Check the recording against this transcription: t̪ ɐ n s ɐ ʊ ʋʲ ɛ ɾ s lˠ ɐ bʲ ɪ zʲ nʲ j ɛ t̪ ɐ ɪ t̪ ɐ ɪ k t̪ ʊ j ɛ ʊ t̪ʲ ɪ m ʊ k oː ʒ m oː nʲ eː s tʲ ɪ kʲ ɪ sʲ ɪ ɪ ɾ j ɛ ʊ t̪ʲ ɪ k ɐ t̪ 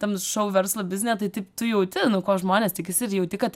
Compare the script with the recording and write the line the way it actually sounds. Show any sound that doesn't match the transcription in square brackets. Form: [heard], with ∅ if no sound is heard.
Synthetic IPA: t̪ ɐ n [ʃ] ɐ ʊ ʋʲ ɛ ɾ s lˠ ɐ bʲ ɪ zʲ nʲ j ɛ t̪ ɐ ɪ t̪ ɐ ɪ [p] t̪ ʊ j ɛ ʊ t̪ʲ ɪ [n] ʊ k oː ʒ m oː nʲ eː s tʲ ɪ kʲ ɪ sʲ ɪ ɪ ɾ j ɛ ʊ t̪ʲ ɪ k ɐ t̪